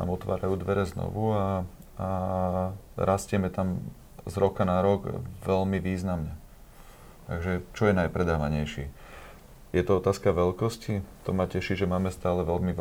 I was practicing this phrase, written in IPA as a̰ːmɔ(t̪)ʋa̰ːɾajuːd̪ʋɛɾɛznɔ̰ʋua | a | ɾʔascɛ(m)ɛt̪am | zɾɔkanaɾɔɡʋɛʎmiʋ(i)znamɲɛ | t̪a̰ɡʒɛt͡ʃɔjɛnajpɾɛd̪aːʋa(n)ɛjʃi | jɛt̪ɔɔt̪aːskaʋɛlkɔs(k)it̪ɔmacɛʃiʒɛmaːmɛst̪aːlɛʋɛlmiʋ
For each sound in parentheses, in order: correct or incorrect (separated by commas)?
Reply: correct, correct, incorrect, incorrect, incorrect